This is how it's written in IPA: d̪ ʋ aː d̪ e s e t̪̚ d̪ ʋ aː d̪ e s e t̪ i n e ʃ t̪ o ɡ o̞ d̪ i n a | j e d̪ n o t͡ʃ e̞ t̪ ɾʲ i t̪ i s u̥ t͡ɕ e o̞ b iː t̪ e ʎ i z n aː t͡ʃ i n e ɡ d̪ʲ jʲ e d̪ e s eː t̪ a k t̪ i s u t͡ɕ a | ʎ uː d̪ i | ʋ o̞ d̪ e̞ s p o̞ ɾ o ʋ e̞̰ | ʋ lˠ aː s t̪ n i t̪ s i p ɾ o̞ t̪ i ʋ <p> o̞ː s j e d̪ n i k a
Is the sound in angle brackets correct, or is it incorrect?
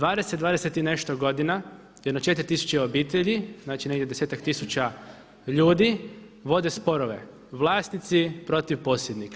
correct